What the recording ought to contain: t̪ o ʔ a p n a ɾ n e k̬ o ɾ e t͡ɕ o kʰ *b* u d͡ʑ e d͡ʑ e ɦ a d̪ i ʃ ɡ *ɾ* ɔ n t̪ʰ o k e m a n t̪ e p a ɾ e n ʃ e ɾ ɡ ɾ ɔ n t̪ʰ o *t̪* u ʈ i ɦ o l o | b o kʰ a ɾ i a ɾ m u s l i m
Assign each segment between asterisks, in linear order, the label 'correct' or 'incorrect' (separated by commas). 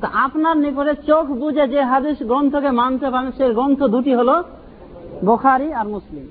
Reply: correct, correct, incorrect